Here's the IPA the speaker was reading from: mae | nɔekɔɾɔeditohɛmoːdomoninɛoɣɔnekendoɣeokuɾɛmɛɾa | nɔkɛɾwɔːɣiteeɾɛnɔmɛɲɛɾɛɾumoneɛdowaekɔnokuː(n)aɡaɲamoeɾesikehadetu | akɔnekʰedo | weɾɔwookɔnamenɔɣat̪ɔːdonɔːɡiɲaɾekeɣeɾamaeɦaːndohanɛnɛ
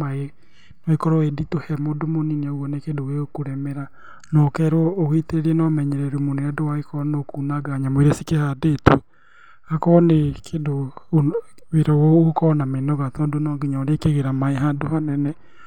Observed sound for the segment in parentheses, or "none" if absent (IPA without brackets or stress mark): n